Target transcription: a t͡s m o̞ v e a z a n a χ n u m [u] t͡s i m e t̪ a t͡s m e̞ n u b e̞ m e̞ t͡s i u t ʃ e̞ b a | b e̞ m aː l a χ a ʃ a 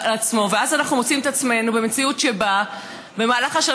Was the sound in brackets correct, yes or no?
no